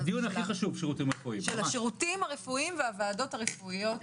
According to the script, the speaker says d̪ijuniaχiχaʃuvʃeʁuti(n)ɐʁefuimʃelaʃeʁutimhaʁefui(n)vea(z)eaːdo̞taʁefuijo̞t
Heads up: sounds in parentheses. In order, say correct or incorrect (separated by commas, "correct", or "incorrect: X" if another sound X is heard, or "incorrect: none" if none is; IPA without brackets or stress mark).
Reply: incorrect: m, incorrect: m, incorrect: v